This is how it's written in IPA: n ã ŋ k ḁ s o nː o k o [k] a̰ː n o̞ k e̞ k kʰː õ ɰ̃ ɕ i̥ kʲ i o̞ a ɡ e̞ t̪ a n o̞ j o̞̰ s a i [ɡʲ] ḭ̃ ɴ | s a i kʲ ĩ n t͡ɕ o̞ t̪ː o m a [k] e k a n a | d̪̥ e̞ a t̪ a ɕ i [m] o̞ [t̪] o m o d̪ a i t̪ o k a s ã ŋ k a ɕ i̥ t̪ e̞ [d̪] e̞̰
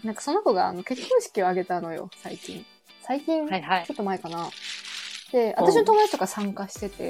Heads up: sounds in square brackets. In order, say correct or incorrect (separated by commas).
incorrect, incorrect, incorrect, incorrect, correct, incorrect